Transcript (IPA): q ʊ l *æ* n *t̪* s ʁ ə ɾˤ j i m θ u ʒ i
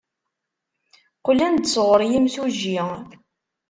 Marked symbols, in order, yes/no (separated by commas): yes, no